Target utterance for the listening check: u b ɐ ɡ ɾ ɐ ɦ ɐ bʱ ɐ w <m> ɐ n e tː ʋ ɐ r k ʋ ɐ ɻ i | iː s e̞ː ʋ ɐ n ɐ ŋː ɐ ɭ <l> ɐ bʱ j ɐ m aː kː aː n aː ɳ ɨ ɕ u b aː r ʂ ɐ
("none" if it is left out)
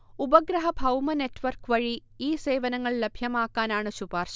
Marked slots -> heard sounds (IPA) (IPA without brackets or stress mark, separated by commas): m, l